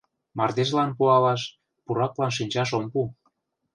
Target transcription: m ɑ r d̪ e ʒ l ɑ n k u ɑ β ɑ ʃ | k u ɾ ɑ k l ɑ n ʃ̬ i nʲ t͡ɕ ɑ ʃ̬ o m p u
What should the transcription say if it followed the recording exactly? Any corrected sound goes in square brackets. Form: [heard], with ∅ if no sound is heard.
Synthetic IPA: m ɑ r d̪ e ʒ l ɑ n [p] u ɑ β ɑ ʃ | [p] u ɾ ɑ k l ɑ n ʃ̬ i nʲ t͡ɕ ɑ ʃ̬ o m p u